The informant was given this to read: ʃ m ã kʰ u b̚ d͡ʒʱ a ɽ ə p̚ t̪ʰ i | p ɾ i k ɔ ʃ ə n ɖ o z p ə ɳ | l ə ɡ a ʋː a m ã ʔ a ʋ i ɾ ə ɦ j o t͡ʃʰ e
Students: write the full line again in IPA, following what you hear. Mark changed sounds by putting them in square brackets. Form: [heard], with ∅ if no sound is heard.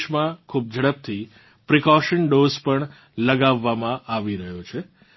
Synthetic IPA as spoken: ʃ m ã kʰ u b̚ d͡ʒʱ [ə] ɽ ə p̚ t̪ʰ i | p ɾ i k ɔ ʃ ə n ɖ o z p ə ɳ | l ə ɡ a ʋː a m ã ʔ a ʋ i ɾ ə ɦ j o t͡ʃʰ e